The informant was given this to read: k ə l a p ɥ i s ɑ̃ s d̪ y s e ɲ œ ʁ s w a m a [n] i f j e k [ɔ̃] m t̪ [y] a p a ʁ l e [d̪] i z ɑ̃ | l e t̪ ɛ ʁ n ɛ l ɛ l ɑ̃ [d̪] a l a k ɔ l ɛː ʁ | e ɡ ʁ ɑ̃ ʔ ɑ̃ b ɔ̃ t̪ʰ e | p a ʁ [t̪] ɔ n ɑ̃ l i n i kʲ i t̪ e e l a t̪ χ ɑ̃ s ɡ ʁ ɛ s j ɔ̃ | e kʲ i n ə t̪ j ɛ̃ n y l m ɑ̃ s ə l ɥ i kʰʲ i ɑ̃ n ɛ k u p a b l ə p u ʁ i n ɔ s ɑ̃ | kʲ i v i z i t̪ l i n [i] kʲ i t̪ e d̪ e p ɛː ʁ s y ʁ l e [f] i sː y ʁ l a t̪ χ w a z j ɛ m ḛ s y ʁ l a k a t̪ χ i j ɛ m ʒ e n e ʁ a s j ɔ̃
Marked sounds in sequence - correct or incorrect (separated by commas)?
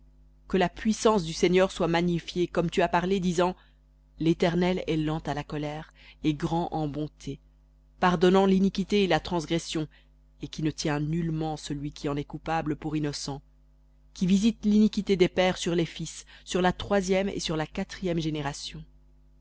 incorrect, incorrect, correct, correct, incorrect, incorrect, correct, correct